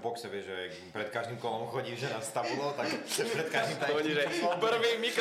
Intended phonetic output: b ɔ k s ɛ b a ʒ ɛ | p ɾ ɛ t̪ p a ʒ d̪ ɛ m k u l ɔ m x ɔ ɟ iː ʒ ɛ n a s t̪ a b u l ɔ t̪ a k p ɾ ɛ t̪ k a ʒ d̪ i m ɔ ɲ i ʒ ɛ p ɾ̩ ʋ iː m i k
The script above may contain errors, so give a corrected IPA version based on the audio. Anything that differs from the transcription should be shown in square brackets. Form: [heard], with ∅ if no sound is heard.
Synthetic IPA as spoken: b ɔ k s ɛ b [ɛ] ʒ ɛ | p ɾ ɛ t̪ [k] a ʒ d̪ [i] m k [ɔ] l ɔ m x ɔ ɟ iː ʒ ɛ n a s t̪ a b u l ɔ t̪ a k p ɾ ɛ t̪ k a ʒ d̪ i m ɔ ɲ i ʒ ɛ p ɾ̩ ʋ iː m i k